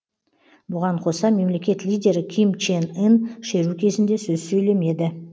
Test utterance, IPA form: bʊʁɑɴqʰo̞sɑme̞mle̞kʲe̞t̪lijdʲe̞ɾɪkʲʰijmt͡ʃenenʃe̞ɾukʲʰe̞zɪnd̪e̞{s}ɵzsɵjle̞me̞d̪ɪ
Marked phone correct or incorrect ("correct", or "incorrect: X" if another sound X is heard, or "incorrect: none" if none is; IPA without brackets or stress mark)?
correct